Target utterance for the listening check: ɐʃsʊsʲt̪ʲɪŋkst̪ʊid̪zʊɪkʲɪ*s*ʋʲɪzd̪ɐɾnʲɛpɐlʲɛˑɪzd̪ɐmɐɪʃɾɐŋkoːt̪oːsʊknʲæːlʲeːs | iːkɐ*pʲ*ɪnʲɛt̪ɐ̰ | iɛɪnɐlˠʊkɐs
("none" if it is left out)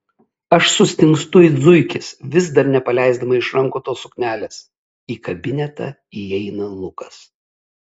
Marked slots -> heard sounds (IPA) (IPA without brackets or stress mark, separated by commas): s, bʲ